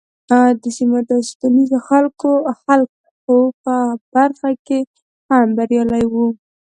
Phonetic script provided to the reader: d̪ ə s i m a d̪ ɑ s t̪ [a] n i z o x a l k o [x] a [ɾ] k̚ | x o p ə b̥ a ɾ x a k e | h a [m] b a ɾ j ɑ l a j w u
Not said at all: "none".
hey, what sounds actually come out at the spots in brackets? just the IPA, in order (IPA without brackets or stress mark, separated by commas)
a, x, l, m